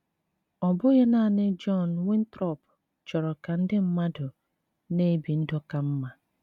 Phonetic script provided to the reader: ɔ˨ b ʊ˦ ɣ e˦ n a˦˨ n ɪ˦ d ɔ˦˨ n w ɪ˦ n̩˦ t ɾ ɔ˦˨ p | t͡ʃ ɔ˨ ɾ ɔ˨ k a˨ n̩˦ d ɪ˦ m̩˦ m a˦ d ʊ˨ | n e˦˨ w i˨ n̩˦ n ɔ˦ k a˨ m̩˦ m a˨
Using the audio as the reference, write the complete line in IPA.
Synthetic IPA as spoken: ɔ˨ b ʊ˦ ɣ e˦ n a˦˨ n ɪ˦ d͡ʒ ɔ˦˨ n w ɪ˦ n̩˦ t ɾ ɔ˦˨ p | t͡ʃ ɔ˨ ɾ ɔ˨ k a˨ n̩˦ d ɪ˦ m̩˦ m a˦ d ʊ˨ | n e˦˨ b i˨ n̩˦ d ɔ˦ k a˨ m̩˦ m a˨